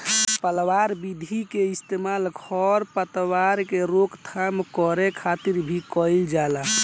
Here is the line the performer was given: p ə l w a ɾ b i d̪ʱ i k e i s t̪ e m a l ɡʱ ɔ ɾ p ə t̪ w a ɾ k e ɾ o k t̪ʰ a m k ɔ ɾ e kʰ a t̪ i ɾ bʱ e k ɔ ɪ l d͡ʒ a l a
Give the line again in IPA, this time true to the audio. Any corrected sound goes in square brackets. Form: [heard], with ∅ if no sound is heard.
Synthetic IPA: p ə l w a ɾ b i d̪ʱ i k e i s t̪ e m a l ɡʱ ɔ ɾ p ə t̪ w a ɾ k e ɾ o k t̪ʰ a m k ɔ ɾ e kʰ a t̪ i ɾ bʱ [i] k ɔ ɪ l d͡ʒ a l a